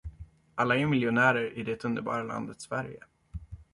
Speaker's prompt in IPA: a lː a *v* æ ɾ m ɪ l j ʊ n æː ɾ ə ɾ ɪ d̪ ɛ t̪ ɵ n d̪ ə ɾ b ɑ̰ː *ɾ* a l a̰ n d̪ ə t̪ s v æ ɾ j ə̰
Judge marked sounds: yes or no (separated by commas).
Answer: no, yes